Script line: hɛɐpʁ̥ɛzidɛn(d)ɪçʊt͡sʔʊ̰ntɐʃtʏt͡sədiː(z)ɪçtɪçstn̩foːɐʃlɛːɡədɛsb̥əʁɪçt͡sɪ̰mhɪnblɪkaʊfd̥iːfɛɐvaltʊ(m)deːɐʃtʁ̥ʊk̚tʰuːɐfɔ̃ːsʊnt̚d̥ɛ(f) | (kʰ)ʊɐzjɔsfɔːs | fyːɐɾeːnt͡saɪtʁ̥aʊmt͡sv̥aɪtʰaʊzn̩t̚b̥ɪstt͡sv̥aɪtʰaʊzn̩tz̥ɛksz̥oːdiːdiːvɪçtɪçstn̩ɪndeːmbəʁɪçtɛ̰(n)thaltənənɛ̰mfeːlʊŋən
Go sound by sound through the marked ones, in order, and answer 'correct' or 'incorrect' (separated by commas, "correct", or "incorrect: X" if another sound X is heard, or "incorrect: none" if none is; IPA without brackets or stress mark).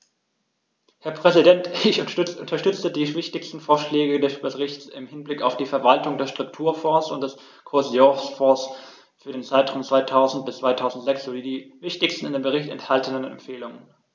incorrect: t, incorrect: v, incorrect: ŋ, incorrect: s, correct, correct